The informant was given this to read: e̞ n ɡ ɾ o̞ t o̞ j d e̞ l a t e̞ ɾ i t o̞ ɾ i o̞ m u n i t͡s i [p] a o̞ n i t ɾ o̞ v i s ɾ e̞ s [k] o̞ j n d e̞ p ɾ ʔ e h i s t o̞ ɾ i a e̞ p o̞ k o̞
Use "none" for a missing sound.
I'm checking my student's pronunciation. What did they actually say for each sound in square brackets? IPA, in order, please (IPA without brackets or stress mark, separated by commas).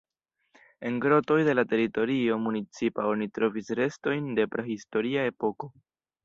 p, t